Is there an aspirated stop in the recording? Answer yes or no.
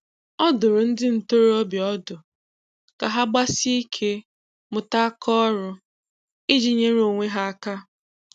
yes